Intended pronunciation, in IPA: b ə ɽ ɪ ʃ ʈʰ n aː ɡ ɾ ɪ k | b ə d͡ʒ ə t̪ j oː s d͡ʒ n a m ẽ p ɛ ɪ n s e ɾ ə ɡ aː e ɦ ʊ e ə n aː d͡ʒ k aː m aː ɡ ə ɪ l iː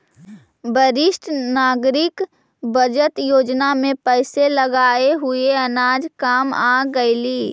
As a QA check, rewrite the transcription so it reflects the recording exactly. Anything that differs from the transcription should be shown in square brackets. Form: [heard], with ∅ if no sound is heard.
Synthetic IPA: b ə [ɾ] ɪ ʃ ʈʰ n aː ɡ ɾ ɪ k | b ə d͡ʒ ə t̪ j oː [∅] d͡ʒ n a m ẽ p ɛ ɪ [∅] s e [l] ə ɡ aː e ɦ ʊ e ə n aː d͡ʒ k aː m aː ɡ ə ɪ l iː

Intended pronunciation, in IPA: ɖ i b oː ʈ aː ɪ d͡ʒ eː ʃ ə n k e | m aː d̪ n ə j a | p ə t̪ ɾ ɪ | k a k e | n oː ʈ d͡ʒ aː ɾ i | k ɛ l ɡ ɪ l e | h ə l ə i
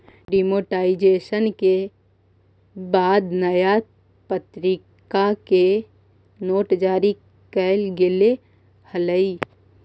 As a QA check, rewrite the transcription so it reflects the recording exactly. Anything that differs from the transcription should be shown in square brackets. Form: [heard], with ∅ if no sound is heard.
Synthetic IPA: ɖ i [m] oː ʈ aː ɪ d͡ʒ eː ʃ ə n k e | [b] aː d̪ n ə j a | p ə t̪ ɾ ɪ | k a k e | n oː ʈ d͡ʒ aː ɾ i | k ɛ l ɡ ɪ l e | h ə l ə i

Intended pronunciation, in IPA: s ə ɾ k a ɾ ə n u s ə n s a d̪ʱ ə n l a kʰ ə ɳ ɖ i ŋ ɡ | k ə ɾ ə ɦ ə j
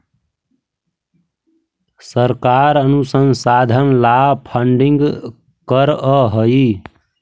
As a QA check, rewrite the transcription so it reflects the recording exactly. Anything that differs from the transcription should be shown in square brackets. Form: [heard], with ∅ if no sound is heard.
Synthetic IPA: s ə ɾ k a ɾ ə n u s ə n s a d̪ʱ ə n l a [pʰ] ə ɳ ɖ i ŋ ɡ | k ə ɾ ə ɦ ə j

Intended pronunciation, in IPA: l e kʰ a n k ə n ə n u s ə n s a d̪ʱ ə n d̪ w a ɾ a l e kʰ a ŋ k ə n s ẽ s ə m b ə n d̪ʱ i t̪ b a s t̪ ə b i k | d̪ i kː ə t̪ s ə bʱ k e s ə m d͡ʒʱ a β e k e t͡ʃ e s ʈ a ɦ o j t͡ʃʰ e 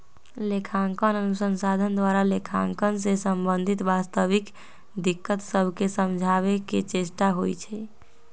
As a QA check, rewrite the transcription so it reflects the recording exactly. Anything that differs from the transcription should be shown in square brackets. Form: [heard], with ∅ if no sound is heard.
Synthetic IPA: l e kʰ a [ŋ] k ə n ə n u s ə n s a d̪ʱ ə n d̪ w a ɾ a l e kʰ a ŋ k ə n s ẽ s ə m b ə n d̪ʱ i t̪ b a s t̪ ə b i k | d̪ i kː ə t̪ s ə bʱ k e s ə m d͡ʒʱ a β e k e t͡ʃ e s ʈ a ɦ o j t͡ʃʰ [ɛ]

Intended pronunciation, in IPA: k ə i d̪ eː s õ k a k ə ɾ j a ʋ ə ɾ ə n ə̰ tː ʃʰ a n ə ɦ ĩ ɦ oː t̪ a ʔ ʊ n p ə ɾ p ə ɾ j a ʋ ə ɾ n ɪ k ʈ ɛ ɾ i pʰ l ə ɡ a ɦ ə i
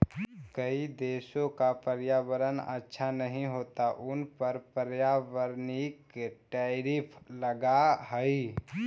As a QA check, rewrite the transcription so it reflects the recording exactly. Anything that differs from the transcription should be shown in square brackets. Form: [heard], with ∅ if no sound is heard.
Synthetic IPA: k ə i d̪ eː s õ k a [p] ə ɾ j a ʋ ə ɾ ə n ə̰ tː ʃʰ a n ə ɦ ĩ ɦ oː t̪ a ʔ ʊ n p ə ɾ p ə ɾ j a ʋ ə ɾ n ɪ k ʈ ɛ ɾ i pʰ l ə ɡ a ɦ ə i

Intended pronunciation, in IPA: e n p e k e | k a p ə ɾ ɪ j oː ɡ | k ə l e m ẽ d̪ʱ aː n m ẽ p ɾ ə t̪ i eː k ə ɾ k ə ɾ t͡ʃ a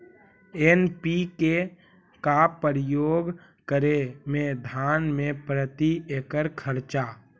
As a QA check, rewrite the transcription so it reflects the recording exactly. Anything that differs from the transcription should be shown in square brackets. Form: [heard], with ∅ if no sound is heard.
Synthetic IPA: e n p [i] k e | k a p ə ɾ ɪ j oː ɡ | k ə [ɾ] e m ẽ d̪ʱ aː n m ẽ p ɾ ə t̪ i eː k ə ɾ [kʰ] ə ɾ t͡ʃ a

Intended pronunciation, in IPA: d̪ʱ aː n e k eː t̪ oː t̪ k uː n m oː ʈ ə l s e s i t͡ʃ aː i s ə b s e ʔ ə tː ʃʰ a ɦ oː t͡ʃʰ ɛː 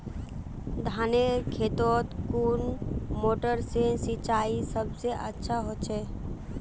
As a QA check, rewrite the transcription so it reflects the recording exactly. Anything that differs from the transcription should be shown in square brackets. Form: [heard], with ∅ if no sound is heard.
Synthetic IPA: d̪ʱ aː n e [kʰ] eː t̪ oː t̪ k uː n m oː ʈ ə [ɾ] s e s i t͡ʃ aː i s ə b s e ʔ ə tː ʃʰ a ɦ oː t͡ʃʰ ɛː

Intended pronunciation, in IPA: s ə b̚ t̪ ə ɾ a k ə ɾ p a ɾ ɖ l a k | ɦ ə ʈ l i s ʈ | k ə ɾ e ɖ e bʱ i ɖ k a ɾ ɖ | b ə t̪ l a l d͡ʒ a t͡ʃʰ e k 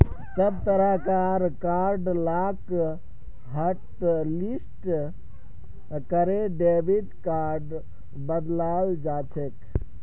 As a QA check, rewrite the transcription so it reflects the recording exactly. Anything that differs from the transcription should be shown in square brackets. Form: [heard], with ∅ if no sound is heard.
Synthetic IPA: s ə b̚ t̪ ə ɾ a k [a] ɾ [k] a ɾ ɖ l a k | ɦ ə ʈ l i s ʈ | k ə ɾ e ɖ e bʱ i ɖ k a ɾ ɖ | b ə [d̪] l a l d͡ʒ a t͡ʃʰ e k

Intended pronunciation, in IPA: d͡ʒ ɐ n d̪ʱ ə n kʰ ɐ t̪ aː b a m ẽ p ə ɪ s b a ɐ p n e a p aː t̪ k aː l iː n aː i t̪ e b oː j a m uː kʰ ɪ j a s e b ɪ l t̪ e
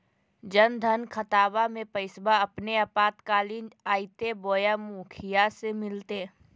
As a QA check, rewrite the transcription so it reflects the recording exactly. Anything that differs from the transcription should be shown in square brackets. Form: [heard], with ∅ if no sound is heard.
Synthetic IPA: d͡ʒ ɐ n d̪ʱ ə n kʰ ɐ t̪ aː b a m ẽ p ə ɪ s b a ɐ p n e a p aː t̪ k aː l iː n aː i t̪ e b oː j a m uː kʰ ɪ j a s e [m] ɪ l t̪ e

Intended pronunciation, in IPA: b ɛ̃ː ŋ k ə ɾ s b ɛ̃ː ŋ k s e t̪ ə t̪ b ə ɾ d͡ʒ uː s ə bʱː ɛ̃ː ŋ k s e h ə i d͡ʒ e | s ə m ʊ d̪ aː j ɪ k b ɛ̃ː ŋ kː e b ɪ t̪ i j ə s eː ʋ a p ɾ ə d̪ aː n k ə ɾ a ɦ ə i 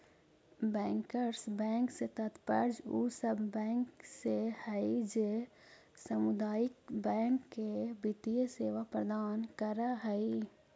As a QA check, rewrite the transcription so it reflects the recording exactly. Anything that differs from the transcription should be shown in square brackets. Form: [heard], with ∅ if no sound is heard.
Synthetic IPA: b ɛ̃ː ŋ k ə ɾ s b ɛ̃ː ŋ k s e t̪ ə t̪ [p] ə ɾ d͡ʒ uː s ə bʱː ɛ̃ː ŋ k s e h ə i d͡ʒ e | s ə m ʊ d̪ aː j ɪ k b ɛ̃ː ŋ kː e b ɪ t̪ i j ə s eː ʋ a p ɾ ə d̪ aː n k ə ɾ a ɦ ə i

